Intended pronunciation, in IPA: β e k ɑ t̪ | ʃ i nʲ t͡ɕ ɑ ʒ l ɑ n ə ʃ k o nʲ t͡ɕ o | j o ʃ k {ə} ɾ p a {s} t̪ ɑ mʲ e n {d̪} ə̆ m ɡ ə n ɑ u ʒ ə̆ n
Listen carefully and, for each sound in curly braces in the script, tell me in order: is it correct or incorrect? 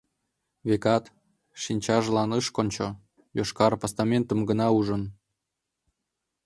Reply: incorrect: ɑ, correct, incorrect: t̪

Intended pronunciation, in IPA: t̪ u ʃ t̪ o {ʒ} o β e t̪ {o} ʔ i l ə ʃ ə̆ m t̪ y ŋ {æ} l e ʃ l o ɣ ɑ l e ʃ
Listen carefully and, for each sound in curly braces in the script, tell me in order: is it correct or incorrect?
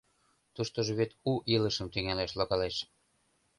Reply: correct, incorrect: u, correct

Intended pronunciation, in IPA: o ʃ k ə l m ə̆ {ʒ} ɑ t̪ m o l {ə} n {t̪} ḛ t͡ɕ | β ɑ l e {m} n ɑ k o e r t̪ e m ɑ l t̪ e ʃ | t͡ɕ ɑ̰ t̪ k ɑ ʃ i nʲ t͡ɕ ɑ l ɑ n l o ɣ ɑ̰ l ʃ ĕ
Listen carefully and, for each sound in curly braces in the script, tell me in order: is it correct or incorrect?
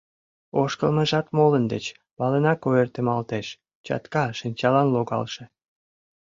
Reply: correct, correct, incorrect: d̪, incorrect: none

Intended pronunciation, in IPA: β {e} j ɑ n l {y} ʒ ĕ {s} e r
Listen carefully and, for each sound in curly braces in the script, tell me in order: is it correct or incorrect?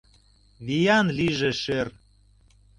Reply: incorrect: i, incorrect: i, incorrect: ʃ

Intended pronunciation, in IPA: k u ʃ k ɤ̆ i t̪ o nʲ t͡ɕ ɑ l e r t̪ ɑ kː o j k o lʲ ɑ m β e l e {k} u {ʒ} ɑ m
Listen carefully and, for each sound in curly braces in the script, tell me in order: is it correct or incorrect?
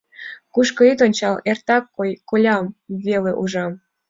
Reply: incorrect: ʔ, correct

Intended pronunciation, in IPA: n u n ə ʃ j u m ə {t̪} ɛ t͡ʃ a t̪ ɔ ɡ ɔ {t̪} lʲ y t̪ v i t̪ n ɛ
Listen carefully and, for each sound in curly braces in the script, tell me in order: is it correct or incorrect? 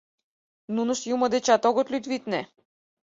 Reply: incorrect: d̪, correct

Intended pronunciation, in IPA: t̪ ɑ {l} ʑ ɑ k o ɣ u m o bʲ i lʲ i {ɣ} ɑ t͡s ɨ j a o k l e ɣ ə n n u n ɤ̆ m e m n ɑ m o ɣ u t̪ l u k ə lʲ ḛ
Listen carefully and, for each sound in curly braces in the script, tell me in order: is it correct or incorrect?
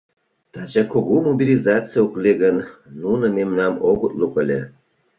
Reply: incorrect: none, incorrect: z

